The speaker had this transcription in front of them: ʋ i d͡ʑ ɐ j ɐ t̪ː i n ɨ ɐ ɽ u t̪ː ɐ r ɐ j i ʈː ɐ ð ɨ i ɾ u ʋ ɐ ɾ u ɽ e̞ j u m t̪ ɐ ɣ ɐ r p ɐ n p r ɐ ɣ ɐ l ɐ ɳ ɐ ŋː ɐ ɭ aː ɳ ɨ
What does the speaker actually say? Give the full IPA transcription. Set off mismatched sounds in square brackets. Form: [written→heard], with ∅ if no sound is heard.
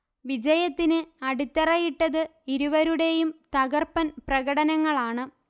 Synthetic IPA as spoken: ʋ i d͡ʑ ɐ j ɐ t̪ː i n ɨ ɐ ɽ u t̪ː ɐ r ɐ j i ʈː ɐ ð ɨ i ɾ u ʋ ɐ ɾ u ɽ e̞ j u m t̪ ɐ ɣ ɐ r p ɐ n p r ɐ ɣ ɐ [l→ɽ] ɐ [ɳ→n] ɐ ŋː ɐ ɭ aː ɳ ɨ